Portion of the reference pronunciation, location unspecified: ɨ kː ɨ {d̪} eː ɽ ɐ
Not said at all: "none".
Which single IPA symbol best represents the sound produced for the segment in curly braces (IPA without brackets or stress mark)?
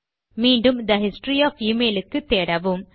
t̪